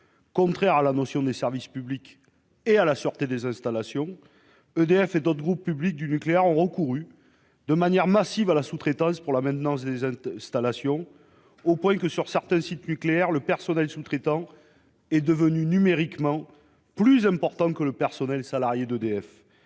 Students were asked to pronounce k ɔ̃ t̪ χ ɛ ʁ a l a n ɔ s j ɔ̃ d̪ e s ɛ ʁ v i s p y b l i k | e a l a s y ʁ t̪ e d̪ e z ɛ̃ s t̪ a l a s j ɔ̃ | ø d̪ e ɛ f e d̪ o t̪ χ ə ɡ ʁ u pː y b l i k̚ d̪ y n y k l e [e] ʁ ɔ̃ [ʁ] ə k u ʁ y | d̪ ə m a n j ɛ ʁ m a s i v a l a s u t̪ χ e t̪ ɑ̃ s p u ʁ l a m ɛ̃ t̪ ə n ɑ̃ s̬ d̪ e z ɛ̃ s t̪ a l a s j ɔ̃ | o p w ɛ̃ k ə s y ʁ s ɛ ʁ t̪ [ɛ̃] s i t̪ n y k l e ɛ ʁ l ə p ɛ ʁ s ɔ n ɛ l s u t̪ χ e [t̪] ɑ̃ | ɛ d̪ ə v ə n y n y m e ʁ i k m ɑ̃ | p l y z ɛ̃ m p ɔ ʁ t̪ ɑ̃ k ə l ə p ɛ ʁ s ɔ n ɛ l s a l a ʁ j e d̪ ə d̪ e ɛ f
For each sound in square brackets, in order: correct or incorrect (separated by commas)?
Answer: incorrect, correct, correct, correct